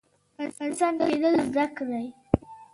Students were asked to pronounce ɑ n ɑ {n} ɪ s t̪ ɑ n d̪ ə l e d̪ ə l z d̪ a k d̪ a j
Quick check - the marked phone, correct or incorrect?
correct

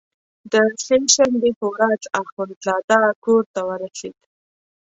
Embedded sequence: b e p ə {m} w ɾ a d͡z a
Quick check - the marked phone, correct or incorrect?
incorrect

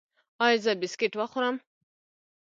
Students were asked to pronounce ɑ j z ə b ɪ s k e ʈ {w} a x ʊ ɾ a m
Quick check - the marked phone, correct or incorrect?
correct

